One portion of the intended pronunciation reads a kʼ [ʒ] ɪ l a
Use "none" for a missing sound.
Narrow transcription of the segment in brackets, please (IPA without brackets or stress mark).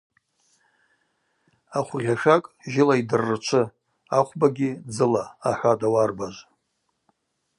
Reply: ʒ